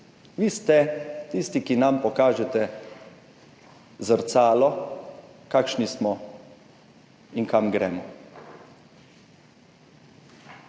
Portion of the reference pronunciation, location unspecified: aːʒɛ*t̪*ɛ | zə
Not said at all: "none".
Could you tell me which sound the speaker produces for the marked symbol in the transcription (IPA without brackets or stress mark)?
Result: t̪